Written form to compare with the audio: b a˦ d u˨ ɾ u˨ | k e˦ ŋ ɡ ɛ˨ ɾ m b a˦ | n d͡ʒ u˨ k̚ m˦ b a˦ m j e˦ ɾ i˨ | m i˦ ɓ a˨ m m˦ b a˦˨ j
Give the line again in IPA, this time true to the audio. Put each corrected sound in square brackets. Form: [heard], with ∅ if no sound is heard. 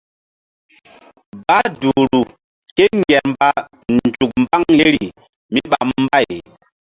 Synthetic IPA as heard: b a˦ d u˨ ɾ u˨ | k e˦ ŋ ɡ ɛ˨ ɾ m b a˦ | n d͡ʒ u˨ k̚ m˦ b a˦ [ŋ] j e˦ ɾ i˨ | m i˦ ɓ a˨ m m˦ b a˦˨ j